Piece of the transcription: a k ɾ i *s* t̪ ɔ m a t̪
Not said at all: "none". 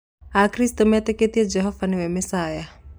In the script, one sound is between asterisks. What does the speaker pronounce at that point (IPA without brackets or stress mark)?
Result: s